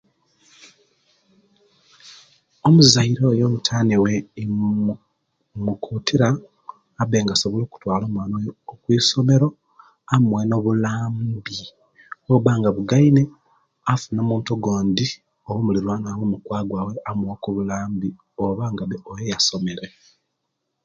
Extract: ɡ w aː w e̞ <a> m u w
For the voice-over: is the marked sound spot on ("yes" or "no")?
yes